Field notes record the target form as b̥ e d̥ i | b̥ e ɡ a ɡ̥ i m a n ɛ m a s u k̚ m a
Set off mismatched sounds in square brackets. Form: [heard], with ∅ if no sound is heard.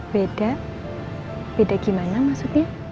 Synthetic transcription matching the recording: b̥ e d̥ [a] | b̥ e [d] a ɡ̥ i m a n [a] m a s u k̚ [ɲ] a